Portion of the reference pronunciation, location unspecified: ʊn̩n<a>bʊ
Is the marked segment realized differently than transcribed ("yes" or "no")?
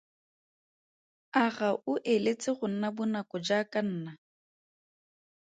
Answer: no